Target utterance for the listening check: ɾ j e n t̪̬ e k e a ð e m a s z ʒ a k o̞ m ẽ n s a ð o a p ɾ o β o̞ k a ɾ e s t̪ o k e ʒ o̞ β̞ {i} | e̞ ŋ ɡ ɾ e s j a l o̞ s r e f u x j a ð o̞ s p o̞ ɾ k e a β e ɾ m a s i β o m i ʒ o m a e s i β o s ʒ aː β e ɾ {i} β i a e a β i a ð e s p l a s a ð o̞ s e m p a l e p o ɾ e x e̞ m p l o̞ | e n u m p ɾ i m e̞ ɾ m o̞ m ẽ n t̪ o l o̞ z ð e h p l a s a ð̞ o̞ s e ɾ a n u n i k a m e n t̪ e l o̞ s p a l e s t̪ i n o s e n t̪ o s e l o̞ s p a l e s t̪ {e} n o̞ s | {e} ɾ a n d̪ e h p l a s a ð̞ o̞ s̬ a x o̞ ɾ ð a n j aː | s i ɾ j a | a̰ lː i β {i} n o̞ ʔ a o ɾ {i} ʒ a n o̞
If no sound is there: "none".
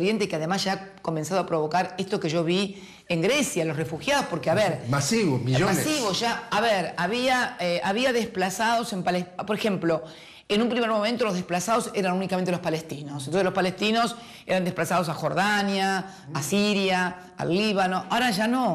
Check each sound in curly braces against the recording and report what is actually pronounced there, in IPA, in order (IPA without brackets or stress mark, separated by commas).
i, a, i, e, a, a